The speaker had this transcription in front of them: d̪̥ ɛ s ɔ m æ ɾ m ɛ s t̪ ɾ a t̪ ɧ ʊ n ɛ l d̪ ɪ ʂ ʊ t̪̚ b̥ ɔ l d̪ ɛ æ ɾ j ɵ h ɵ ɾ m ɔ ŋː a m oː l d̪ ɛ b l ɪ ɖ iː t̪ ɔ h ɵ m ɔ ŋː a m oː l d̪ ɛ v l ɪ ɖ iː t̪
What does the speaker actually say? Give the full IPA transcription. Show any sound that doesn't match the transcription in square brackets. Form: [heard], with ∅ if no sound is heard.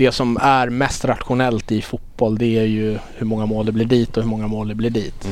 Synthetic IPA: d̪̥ ɛ s ɔ m æ ɾ m ɛ s t̪ ɾ a t̪ ɧ ʊ n ɛ l [t̪] ɪ [f] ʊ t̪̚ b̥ ɔ l d̪ ɛ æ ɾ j ɵ h ɵ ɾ m ɔ ŋː a m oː l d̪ ɛ b l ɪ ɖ iː t̪ ɔ h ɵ m ɔ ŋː a m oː l d̪ ɛ [b] l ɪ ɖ iː t̪